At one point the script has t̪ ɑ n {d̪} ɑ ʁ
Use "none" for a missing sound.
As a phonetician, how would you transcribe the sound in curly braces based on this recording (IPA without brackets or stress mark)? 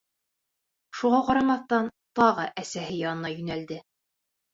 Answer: t̪